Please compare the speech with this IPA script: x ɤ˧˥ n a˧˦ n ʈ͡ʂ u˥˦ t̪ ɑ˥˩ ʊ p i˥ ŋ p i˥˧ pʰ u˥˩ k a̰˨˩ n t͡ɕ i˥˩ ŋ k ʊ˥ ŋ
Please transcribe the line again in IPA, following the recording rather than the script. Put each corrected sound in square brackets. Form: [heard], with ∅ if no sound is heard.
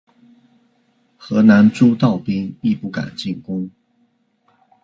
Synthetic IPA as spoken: x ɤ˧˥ n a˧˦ n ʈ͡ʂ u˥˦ t̪ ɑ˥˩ ʊ p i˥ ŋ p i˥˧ [p] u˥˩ k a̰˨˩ n t͡ɕ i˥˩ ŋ k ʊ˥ ŋ